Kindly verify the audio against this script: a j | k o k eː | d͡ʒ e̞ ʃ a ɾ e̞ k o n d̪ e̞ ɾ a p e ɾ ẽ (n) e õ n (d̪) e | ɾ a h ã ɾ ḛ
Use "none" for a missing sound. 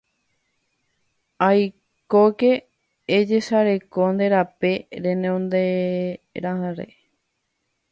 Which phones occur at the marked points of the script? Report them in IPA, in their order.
n, d̪

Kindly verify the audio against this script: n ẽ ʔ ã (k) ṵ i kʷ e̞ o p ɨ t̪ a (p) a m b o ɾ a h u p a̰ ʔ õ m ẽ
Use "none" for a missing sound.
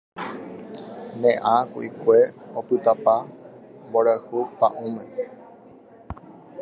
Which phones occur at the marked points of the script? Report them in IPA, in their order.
k, p

